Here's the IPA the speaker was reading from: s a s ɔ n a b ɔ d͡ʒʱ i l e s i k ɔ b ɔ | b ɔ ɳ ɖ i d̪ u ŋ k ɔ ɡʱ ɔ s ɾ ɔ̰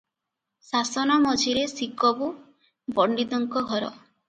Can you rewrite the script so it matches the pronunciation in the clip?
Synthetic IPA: s a s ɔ n a m ɔ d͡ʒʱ i ɾ e s i k ɔ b u | b ɔ ɳ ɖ i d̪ ɔ ŋ k ɔ ɡʱ ɔ ɾ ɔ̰